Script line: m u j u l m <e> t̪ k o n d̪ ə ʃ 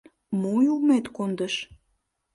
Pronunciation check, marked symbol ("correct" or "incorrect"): correct